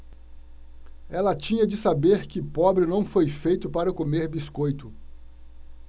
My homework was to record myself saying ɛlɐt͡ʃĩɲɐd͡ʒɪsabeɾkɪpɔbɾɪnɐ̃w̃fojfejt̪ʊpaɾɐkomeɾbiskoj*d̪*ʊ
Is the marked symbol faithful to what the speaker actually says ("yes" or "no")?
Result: no